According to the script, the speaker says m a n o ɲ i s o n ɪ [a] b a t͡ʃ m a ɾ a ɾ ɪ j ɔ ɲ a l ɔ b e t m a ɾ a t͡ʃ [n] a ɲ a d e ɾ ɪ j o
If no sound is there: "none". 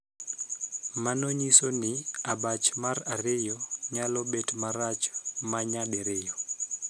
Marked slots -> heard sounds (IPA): a, m

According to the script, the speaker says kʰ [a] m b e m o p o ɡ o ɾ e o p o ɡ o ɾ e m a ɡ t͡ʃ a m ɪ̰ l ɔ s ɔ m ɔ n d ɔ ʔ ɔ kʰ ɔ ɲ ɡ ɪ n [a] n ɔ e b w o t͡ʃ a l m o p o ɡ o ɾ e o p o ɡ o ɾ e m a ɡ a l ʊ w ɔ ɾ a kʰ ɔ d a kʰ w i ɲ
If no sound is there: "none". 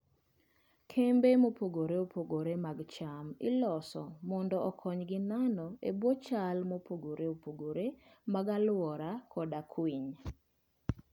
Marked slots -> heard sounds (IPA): e, a

